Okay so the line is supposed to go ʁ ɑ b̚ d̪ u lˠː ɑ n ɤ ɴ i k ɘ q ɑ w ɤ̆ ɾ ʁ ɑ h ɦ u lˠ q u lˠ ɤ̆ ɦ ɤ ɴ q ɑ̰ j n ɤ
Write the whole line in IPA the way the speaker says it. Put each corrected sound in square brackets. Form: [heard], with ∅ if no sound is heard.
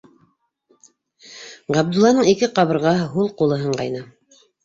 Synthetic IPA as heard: ʁ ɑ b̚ d̪ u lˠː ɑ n ɤ ɴ i k ɘ q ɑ [β] ɤ̆ ɾ ʁ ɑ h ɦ u lˠ q u lˠ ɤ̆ ɦ ɤ ɴ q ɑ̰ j n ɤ